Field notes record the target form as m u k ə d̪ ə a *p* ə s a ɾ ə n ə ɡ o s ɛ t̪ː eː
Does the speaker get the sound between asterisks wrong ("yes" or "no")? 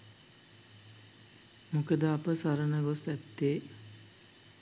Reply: no